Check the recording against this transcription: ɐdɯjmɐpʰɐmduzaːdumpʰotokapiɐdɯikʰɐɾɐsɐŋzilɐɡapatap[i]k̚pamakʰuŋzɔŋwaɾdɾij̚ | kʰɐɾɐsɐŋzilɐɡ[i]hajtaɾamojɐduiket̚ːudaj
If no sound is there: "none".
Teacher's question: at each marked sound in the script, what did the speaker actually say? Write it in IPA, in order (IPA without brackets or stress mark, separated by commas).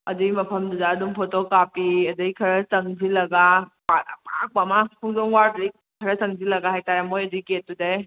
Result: a, a